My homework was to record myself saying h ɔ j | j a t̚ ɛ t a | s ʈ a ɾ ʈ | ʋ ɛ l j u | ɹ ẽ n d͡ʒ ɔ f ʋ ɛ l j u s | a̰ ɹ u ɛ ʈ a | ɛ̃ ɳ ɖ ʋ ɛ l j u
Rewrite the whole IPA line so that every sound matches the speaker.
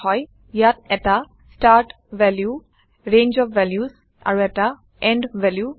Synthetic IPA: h ɔ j | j a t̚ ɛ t a | s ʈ a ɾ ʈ | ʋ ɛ l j u | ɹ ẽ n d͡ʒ ɔ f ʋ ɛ l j u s | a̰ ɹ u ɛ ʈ a | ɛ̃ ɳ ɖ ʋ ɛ l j u